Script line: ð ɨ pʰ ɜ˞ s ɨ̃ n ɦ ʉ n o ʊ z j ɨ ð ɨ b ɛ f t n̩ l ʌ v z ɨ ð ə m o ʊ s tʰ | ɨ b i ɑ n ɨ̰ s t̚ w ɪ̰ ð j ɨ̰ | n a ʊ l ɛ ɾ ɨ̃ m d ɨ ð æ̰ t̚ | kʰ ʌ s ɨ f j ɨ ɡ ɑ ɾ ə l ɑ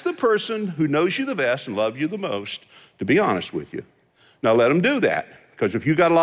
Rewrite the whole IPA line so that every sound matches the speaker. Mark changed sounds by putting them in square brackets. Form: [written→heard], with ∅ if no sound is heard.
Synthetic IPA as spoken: ð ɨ pʰ ɜ˞ s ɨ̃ n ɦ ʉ n o ʊ z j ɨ ð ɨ b ɛ [f→s] t n̩ l ʌ v z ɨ ð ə m o ʊ s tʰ | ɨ b i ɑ n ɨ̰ s t̚ w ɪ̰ ð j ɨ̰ | n a ʊ l ɛ ɾ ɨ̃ m d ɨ ð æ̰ t̚ | kʰ ʌ [s→z] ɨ f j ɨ ɡ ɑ ɾ ə l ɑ